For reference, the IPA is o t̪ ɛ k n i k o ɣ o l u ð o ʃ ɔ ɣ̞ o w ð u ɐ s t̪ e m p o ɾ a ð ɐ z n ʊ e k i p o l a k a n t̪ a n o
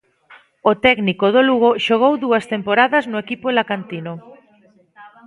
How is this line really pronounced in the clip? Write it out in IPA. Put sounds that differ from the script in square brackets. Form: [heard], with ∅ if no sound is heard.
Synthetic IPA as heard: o t̪ ɛ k n i k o [ð] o l u [ɣ] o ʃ [o] ɣ̞ o w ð u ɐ s t̪ e m p o ɾ a ð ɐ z n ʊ e k i p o l a k a n t̪ [i] n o